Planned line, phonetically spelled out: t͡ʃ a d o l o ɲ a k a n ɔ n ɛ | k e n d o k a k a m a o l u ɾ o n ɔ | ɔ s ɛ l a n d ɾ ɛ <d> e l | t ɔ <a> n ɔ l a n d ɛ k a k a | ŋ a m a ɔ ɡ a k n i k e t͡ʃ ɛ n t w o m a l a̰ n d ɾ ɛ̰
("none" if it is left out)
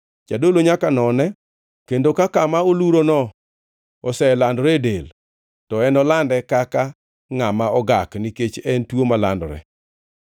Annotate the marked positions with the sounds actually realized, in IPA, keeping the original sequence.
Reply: d, ɛ

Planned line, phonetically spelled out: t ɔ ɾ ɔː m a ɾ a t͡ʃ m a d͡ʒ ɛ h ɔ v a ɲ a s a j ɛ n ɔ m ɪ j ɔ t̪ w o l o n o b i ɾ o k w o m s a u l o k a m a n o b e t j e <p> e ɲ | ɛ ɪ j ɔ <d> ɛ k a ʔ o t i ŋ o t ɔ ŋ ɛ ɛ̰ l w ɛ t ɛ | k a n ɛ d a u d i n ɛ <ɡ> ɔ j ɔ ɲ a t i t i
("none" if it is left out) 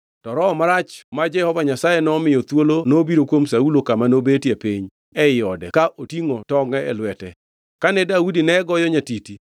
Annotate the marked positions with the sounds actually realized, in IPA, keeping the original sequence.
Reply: p, d, ɡ

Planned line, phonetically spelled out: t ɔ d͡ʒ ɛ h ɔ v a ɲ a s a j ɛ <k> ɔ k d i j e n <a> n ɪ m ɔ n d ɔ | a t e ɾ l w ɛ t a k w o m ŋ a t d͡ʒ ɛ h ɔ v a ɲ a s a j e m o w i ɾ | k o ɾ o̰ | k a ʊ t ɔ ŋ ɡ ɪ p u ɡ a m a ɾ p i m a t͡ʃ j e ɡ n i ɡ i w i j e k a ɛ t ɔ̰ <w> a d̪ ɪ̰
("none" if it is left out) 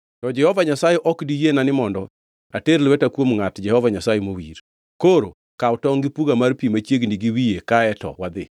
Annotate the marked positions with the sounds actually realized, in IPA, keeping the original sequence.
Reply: ʔ, a, w

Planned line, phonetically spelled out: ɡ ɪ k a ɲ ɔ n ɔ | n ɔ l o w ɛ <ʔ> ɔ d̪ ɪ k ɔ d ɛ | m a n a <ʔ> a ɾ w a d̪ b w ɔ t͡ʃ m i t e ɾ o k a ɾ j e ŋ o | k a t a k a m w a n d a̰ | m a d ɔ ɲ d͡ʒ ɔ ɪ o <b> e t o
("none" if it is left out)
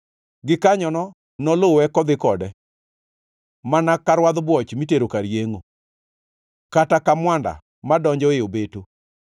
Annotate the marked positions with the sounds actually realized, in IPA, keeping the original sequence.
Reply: k, k, b

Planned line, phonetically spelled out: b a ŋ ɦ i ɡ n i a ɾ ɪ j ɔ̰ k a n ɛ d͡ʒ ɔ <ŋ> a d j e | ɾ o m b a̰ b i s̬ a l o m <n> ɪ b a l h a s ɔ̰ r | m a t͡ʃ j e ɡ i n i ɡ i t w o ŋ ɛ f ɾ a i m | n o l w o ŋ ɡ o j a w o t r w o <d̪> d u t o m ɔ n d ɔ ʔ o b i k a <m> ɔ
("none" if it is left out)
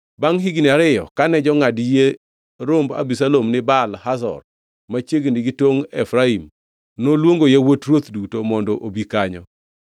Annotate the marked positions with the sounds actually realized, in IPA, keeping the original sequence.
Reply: ŋ, n, t̪, ɲ

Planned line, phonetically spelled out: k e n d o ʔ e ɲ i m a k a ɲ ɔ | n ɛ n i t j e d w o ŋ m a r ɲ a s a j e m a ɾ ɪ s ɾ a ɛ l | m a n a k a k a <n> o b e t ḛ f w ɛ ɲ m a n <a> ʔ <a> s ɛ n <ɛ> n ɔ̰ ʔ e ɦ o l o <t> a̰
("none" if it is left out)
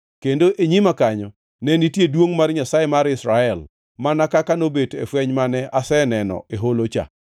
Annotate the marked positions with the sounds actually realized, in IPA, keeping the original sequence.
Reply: n, ɛ, a, ɛ, t͡ʃ

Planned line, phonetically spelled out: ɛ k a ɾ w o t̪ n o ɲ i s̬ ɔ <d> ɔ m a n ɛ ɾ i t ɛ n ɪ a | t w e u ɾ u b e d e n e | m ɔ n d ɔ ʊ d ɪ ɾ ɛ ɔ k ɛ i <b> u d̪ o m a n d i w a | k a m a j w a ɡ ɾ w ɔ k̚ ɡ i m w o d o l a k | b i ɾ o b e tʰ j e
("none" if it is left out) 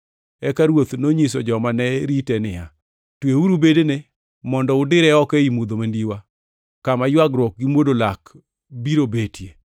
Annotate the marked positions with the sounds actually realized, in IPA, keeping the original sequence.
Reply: d͡ʒ, m

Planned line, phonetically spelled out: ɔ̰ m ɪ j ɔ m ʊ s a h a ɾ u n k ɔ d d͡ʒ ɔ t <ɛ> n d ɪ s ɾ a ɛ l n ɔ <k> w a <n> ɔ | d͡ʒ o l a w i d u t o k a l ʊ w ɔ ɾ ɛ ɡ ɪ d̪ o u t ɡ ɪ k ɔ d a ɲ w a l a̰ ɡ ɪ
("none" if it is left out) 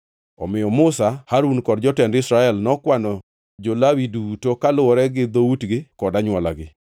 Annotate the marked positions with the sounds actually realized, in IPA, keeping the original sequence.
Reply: ɛ, k, n

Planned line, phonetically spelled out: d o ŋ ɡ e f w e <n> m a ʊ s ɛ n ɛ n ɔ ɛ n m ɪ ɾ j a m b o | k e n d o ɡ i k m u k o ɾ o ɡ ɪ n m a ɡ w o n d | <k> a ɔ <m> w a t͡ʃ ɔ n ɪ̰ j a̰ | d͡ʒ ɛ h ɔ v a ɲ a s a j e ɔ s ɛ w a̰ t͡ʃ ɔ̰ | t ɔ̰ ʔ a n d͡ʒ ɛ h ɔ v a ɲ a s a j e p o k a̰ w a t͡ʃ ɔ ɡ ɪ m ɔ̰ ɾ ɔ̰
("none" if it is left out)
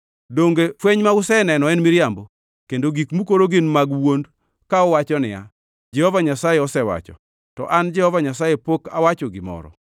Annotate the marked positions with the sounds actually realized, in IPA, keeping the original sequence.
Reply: ɲ, k, none

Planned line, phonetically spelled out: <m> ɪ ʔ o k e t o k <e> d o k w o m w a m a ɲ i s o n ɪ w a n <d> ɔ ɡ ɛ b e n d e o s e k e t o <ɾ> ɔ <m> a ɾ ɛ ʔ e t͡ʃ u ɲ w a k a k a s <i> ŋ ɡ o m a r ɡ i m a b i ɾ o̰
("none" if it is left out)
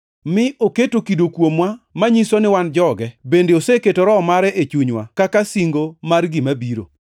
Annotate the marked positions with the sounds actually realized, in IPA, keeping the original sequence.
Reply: m, i, d͡ʒ, ɾ, m, i

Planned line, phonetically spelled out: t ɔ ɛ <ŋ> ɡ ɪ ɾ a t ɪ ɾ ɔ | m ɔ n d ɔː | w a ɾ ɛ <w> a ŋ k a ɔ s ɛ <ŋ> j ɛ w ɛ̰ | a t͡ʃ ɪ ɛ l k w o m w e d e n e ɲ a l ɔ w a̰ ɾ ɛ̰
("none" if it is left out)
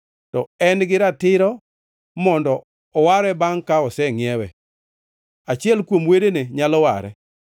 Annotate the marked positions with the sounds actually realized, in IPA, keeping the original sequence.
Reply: n, b, ŋ

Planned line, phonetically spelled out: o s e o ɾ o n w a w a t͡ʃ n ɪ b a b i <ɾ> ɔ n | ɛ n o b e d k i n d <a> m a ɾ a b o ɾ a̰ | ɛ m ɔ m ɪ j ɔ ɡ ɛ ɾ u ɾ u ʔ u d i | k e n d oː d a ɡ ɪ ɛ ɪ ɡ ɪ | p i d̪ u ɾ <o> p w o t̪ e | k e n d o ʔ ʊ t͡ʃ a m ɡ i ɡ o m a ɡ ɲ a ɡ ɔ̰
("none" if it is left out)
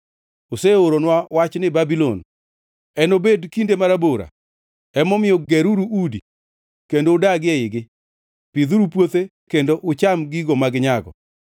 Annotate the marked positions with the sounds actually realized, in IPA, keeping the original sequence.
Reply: l, e, u

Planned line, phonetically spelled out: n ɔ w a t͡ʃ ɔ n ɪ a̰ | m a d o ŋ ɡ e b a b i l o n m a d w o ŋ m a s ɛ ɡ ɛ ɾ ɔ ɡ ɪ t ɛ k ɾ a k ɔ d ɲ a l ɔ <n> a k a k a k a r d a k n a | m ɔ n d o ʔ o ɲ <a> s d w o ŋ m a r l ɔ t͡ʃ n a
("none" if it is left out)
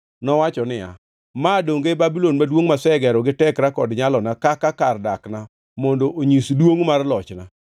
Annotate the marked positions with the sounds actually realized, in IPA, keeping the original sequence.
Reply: n, i

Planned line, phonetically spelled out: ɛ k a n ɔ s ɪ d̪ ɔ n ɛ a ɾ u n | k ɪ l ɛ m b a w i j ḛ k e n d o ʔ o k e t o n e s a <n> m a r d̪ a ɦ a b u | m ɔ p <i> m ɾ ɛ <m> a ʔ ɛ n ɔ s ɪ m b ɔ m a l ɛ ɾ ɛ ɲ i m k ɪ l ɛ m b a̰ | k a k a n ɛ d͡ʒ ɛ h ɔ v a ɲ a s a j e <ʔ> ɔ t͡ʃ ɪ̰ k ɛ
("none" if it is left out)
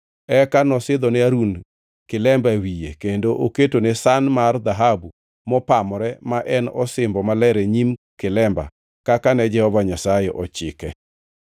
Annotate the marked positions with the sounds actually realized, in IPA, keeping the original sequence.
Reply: n, a, m, ʔ

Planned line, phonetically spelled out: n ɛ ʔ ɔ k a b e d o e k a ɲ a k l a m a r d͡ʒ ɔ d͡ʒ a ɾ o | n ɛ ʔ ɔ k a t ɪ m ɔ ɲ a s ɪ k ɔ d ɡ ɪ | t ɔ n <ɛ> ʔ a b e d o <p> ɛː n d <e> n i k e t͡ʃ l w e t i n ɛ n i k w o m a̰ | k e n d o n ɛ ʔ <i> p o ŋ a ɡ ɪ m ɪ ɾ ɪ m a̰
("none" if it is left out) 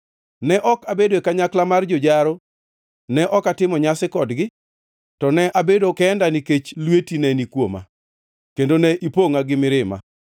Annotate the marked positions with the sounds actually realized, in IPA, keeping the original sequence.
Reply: ɛ, k, a, i

